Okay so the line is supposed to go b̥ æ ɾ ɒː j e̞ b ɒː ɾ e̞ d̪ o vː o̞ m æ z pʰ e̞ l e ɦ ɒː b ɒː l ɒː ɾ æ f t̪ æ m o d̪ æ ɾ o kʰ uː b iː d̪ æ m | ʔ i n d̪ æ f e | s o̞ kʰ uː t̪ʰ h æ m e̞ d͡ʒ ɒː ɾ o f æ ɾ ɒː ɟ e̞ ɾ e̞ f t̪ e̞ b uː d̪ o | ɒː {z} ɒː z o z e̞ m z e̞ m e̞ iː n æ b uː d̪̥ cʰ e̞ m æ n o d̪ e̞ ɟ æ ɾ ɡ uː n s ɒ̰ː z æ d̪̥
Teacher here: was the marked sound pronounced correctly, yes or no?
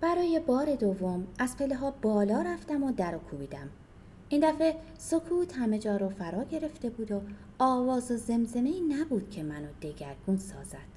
no